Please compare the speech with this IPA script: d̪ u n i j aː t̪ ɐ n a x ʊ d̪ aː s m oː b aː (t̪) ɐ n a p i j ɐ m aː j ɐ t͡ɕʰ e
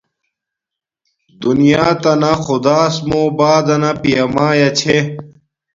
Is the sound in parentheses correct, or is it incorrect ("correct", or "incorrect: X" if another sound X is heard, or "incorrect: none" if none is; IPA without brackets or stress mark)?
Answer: incorrect: d̪